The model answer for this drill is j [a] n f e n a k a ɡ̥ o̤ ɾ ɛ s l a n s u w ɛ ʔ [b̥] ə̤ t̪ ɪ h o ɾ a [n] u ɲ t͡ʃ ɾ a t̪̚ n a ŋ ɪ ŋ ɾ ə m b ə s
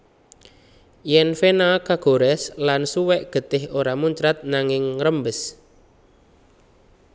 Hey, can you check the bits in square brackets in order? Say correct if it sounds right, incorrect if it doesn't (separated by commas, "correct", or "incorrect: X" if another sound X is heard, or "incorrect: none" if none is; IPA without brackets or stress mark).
incorrect: ɛ, incorrect: ɡ̥, incorrect: m